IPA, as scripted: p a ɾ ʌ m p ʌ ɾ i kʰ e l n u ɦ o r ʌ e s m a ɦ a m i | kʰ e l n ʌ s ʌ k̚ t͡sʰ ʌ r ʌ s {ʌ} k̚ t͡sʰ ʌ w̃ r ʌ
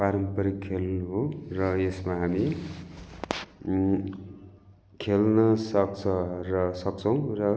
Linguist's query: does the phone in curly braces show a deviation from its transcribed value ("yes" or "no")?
no